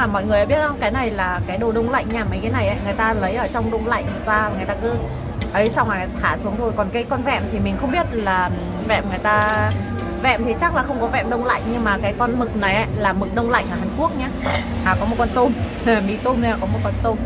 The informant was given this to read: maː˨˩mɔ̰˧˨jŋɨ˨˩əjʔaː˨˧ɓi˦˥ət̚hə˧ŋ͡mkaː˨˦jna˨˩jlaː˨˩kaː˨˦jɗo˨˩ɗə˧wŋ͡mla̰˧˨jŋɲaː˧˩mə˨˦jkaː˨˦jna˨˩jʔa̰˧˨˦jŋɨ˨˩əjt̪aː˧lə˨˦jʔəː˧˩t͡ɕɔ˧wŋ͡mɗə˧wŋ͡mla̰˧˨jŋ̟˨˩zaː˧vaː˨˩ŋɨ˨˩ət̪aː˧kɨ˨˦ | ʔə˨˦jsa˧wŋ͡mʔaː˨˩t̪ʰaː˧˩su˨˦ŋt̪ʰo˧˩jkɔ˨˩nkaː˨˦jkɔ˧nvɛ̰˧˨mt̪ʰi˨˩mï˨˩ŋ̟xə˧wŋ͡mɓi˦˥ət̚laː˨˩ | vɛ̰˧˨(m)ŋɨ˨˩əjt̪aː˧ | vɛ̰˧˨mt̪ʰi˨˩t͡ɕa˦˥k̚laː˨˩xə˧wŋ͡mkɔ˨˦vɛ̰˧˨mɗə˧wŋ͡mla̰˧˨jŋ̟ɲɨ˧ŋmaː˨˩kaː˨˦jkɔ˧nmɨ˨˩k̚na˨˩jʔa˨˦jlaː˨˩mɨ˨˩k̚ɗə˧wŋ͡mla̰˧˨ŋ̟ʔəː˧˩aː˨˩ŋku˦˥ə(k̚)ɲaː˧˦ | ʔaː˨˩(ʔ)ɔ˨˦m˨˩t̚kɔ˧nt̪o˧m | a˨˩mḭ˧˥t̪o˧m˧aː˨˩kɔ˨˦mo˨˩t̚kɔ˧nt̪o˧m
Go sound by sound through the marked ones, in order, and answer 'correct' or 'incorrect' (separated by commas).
correct, correct, incorrect